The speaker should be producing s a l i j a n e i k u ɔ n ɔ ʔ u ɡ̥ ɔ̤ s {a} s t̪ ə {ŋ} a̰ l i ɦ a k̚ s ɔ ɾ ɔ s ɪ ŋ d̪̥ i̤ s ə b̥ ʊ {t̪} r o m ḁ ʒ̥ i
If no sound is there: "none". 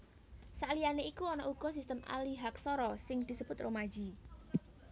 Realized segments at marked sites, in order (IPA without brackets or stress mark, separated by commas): i, m, t̪